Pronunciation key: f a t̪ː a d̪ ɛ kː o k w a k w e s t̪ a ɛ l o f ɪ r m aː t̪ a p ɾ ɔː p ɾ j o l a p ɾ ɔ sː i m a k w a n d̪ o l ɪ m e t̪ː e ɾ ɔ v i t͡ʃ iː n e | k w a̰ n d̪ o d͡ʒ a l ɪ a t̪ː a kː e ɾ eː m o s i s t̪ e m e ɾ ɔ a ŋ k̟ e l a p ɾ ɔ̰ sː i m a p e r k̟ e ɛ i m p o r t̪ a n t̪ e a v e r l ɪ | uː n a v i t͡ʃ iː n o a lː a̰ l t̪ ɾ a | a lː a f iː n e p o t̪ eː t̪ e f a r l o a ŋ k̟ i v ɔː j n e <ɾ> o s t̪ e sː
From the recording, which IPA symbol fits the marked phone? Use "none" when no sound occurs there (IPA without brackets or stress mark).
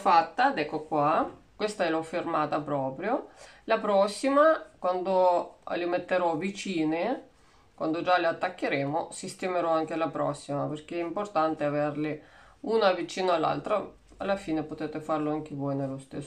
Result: l